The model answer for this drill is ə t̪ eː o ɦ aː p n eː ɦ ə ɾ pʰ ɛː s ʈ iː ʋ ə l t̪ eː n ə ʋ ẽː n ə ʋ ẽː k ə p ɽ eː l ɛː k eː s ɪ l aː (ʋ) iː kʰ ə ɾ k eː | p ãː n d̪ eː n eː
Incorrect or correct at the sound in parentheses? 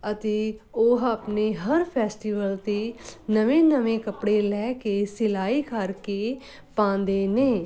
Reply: incorrect: none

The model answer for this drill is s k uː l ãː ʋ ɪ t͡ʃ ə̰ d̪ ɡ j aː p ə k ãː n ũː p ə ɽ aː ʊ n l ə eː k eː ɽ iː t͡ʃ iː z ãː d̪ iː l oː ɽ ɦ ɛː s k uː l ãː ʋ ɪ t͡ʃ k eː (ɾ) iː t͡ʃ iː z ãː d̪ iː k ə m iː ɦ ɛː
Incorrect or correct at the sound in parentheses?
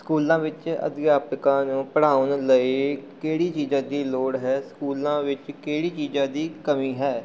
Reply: incorrect: ɽ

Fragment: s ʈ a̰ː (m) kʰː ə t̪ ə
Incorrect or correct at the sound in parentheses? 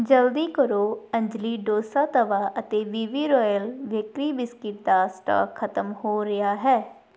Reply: incorrect: none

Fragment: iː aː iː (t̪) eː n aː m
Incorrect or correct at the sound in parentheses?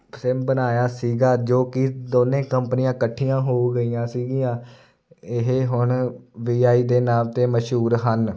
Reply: incorrect: d̪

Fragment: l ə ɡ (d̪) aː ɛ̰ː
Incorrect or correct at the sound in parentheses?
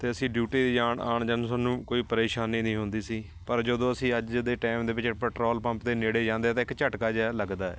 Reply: correct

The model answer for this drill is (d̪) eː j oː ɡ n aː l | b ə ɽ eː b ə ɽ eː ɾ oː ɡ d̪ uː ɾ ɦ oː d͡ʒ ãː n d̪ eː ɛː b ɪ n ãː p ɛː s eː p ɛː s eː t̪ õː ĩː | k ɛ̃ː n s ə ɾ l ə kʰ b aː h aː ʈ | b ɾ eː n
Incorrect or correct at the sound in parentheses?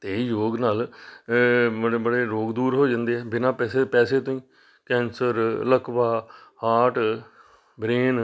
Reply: incorrect: t̪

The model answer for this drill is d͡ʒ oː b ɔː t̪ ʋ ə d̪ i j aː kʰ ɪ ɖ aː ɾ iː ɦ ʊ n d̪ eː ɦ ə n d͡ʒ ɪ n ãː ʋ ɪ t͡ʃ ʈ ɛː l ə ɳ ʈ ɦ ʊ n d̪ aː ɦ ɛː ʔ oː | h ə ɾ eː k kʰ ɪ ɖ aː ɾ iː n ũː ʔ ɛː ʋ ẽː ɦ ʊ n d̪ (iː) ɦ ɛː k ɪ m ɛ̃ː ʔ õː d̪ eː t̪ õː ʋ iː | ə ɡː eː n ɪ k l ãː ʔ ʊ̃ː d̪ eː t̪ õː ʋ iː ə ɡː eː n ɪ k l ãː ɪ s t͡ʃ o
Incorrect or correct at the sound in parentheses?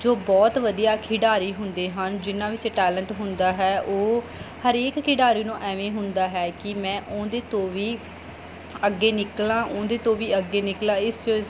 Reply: incorrect: aː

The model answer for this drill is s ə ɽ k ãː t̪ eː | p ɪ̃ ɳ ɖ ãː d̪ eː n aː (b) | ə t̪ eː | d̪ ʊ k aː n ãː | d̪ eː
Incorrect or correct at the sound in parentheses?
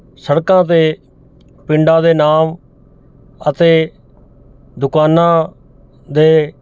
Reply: incorrect: m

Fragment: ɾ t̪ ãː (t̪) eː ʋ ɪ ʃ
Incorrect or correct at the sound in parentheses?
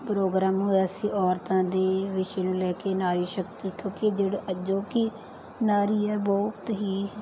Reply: incorrect: d̪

